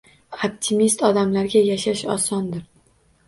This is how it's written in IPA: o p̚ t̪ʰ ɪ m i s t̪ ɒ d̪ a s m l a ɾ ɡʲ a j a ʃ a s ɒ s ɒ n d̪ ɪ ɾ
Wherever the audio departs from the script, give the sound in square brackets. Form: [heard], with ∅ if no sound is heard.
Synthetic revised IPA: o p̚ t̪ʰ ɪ m i s t̪ ɒ d̪ a [∅] m l a ɾ ɡʲ a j a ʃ a [ʃ] ɒ s ɒ n d̪ ɪ ɾ